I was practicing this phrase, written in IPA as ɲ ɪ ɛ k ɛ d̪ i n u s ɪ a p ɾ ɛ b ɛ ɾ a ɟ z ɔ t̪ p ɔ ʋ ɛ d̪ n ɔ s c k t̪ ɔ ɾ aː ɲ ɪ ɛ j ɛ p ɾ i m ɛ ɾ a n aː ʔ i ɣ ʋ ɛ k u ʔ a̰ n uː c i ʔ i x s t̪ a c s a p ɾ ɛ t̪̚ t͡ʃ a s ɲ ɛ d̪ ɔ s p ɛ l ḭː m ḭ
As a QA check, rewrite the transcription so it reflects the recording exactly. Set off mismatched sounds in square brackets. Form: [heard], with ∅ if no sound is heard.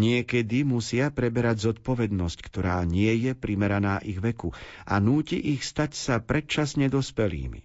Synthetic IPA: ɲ ɪ ɛ k ɛ d̪ i [m] u s ɪ a p ɾ ɛ b ɛ ɾ a ɟ z ɔ t̪ p ɔ ʋ ɛ d̪ n ɔ s c k t̪ ɔ ɾ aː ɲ ɪ ɛ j ɛ p ɾ i m ɛ ɾ a n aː ʔ i ɣ ʋ ɛ k u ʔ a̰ n uː c i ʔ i x s t̪ a c s a p ɾ ɛ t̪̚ t͡ʃ a s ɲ ɛ d̪ ɔ s p ɛ l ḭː m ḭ